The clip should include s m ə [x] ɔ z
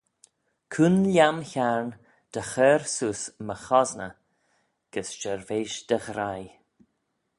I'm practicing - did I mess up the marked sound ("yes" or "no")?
no